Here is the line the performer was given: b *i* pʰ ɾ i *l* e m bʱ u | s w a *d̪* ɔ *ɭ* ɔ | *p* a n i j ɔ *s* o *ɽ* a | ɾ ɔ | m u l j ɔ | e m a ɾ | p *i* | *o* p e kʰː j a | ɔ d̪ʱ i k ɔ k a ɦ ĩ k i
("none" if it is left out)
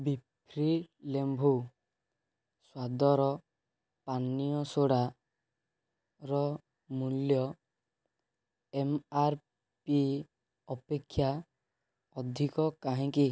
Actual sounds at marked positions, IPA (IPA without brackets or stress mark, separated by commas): i, l, d̪, ɾ, p, s, ɽ, i, ɔ